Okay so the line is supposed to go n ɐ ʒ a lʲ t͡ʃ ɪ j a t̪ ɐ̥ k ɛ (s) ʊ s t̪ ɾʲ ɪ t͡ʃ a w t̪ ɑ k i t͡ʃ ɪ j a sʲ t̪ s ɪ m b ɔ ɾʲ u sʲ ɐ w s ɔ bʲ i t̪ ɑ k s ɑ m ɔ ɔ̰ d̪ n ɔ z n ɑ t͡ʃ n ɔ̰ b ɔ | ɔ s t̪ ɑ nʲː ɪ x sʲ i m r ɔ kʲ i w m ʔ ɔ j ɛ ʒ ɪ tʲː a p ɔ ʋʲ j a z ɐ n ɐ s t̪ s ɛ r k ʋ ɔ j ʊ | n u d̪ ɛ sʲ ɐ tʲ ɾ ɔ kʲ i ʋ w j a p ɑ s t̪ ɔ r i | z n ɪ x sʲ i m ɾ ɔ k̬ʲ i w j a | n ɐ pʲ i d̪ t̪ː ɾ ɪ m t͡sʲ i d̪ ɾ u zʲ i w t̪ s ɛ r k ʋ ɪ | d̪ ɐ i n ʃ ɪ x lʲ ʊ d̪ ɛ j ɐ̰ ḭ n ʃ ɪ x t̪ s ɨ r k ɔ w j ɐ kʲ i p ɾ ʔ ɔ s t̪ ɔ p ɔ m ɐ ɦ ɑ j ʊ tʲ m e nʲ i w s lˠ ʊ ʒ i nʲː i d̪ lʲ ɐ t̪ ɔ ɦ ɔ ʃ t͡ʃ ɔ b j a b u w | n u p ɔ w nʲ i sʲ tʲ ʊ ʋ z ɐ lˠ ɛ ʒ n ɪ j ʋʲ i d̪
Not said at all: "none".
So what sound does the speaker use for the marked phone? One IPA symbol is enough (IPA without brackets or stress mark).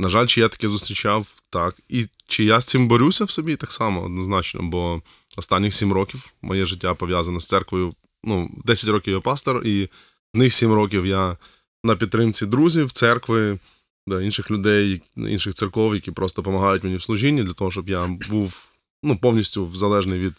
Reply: z